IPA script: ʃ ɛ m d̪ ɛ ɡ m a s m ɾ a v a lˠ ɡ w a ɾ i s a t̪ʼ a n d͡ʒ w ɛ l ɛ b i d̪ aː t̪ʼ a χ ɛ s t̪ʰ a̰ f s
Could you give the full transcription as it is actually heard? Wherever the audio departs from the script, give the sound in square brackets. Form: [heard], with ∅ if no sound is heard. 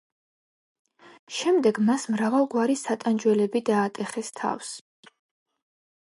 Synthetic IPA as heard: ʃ ɛ m d̪ ɛ ɡ m a s m ɾ a v a lˠ ɡ w a ɾ i s a t̪ʼ a n d͡ʒ w ɛ l ɛ b i d̪ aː t̪ʼ [ɛ] χ ɛ s t̪ʰ a̰ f s